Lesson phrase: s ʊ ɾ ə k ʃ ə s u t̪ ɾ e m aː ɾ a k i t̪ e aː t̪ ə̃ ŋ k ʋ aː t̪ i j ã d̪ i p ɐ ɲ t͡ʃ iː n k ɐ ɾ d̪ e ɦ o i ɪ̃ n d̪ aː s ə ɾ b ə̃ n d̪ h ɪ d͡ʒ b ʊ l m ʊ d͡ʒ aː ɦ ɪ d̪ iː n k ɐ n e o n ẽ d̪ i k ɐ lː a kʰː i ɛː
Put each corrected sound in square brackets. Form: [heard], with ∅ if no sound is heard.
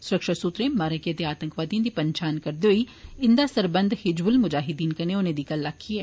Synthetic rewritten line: s ʊ ɾ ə k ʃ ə s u t̪ ɾ e m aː ɾ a k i t̪ e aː t̪ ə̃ ŋ k ʋ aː t̪ i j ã d̪ i p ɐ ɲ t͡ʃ [aː] n k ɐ ɾ d̪ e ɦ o i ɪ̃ n d̪ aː s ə ɾ b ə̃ n d̪ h ɪ d͡ʒ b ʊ l m ʊ d͡ʒ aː ɦ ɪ d̪ iː n k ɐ n e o n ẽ d̪ i k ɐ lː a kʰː i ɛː